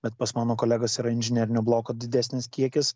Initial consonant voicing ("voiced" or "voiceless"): voiced